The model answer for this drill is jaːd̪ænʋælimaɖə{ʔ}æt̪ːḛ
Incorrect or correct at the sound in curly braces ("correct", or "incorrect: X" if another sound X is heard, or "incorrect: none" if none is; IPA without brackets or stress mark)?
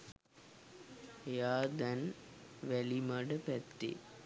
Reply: incorrect: p